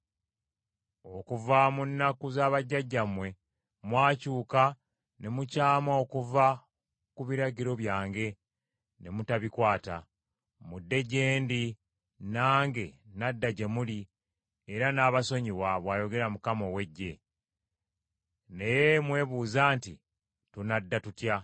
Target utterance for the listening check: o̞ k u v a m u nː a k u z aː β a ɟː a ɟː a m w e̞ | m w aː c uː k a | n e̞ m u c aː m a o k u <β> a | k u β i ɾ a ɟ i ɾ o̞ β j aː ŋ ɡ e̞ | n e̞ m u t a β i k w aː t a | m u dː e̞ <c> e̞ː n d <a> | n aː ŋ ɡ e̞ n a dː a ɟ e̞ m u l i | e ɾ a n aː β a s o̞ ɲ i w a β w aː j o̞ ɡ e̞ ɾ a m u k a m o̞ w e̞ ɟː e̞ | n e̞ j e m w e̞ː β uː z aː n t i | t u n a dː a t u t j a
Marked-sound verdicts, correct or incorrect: incorrect: v, incorrect: ɟ, incorrect: i

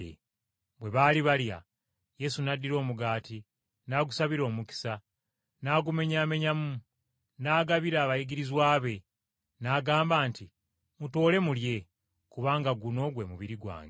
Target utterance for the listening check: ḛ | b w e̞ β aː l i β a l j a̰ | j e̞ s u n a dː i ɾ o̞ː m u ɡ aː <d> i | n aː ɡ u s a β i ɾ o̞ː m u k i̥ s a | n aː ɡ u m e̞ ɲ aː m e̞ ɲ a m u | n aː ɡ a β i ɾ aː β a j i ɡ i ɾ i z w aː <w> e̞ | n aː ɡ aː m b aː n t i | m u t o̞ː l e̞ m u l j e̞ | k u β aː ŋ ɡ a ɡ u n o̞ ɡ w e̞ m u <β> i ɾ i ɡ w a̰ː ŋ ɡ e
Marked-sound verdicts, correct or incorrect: incorrect: t, incorrect: β, correct

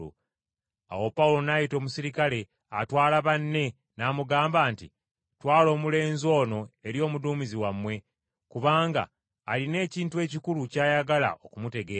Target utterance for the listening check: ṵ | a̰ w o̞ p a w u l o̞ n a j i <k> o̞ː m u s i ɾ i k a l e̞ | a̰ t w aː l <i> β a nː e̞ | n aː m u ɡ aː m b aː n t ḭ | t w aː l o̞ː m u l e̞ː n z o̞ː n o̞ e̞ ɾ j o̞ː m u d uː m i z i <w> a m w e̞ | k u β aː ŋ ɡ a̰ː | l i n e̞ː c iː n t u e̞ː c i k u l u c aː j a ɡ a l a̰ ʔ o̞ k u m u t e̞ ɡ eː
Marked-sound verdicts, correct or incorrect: incorrect: t, incorrect: a, correct

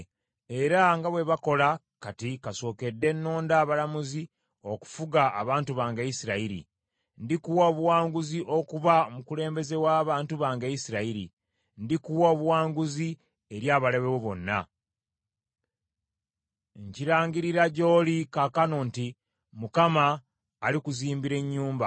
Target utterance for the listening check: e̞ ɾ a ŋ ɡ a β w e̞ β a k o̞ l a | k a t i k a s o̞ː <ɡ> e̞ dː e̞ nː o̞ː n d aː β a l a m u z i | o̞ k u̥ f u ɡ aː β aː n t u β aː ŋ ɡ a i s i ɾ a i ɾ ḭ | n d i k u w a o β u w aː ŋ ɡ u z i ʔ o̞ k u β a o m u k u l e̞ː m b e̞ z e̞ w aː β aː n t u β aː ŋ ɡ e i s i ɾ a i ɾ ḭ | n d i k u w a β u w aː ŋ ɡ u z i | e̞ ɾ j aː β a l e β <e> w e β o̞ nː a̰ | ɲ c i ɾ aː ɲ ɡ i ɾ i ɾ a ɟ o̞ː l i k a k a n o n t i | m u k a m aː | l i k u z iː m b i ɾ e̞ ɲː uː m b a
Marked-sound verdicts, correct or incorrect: incorrect: k, correct

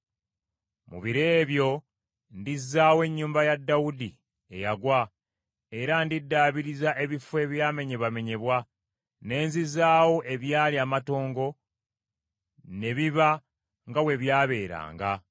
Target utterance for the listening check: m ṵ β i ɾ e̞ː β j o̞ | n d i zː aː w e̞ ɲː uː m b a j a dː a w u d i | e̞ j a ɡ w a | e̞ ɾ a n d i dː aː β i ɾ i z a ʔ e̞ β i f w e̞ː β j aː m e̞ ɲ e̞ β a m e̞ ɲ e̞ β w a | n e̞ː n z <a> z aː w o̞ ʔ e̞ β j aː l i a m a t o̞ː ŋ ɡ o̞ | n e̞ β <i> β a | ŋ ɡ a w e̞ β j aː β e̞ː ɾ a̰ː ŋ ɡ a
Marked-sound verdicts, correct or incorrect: incorrect: i, correct

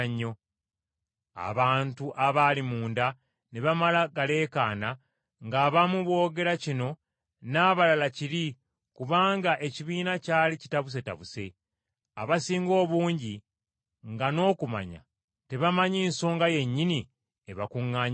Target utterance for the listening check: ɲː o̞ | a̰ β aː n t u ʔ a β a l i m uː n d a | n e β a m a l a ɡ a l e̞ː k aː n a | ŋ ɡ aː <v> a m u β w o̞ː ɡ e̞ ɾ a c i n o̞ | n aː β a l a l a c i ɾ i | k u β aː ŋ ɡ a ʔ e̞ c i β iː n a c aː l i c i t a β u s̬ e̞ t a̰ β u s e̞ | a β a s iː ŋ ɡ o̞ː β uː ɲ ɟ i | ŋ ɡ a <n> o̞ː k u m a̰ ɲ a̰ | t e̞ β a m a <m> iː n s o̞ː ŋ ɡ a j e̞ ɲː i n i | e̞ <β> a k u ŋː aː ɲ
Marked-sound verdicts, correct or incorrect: incorrect: β, correct, incorrect: ɲ, correct

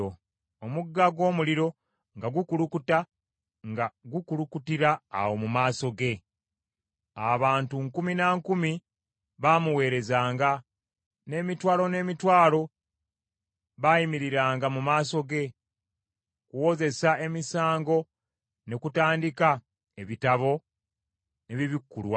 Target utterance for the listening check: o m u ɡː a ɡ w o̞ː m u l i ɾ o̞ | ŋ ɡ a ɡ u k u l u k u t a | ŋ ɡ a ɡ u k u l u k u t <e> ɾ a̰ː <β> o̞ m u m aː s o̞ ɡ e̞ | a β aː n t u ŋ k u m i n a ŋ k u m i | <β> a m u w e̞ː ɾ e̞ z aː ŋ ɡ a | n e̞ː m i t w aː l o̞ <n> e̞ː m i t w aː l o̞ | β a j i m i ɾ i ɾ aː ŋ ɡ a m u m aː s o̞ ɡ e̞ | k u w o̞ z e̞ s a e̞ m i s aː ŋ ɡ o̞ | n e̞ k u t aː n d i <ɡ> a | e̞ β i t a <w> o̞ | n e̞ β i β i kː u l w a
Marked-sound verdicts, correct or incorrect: incorrect: i, incorrect: w, correct, correct, incorrect: k, incorrect: β

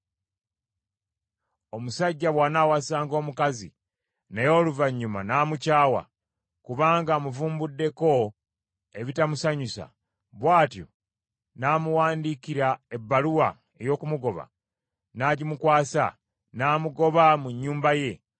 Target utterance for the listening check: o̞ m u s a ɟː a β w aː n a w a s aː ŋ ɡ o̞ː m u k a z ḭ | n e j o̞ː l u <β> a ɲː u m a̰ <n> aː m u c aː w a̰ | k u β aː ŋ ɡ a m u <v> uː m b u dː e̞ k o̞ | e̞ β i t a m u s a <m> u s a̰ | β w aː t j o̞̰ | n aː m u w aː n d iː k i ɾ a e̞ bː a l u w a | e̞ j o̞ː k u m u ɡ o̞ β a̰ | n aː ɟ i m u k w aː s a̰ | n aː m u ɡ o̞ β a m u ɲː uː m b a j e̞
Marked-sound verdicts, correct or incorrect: incorrect: v, correct, correct, incorrect: ɲ

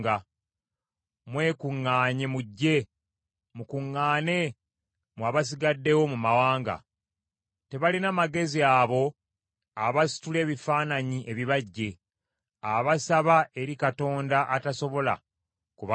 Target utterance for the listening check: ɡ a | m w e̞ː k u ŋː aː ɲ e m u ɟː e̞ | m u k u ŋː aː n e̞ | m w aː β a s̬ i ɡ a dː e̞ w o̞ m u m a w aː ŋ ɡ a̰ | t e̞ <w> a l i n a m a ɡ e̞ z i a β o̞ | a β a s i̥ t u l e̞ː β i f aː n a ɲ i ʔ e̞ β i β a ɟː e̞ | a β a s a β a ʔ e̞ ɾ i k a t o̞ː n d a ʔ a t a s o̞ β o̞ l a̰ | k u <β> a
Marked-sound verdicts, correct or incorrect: incorrect: β, correct

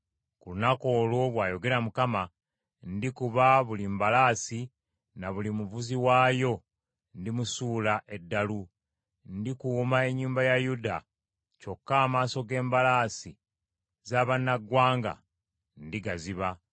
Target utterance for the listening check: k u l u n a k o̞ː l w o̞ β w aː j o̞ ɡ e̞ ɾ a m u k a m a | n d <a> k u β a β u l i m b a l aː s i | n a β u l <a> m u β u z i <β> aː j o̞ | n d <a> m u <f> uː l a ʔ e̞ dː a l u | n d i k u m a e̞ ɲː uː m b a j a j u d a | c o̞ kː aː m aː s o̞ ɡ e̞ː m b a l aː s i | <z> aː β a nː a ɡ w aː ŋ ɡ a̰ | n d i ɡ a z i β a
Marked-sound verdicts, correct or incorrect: incorrect: i, incorrect: i, incorrect: w, incorrect: i, incorrect: s, correct

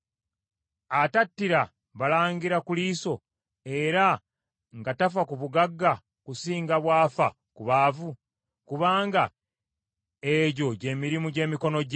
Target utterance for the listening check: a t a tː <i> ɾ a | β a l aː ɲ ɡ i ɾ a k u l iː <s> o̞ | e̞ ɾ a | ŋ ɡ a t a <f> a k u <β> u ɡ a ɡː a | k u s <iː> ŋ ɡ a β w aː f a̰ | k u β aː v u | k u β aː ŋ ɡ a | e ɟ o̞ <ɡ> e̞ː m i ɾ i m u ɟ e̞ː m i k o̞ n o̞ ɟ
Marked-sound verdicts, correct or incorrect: correct, correct, correct, correct, correct, incorrect: ɟ

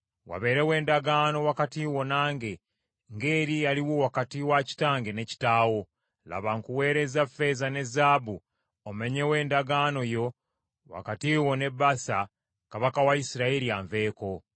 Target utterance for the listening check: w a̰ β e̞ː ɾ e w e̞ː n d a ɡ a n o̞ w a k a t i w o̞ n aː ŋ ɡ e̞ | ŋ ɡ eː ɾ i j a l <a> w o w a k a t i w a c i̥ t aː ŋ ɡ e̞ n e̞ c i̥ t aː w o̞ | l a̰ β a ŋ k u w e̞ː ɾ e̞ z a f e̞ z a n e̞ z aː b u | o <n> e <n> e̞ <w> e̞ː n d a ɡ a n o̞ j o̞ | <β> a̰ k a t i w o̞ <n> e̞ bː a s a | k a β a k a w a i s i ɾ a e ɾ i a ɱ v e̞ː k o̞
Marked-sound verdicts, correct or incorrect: incorrect: i, incorrect: m, incorrect: ɲ, correct, incorrect: w, correct

